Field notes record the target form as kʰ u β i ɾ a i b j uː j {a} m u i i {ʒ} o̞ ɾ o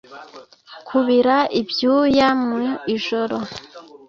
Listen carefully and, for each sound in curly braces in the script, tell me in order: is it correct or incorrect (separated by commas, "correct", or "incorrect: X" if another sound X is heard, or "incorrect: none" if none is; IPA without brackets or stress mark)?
correct, correct